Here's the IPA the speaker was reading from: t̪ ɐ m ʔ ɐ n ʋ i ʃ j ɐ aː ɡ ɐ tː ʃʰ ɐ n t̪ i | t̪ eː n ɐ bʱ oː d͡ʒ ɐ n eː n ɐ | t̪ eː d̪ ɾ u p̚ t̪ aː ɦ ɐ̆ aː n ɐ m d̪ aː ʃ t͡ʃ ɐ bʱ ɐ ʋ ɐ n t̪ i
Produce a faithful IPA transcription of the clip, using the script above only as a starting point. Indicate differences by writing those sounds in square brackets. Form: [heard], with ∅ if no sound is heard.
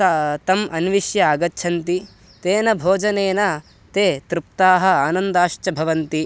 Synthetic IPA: t̪ ɐ m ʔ ɐ n ʋ i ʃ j ɐ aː ɡ ɐ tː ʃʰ ɐ n t̪ i | t̪ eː n ɐ bʱ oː d͡ʒ ɐ n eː n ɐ | t̪ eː [t̪] ɾ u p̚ t̪ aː ɦ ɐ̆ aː n ɐ [n] d̪ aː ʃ t͡ʃ ɐ bʱ ɐ ʋ ɐ n t̪ i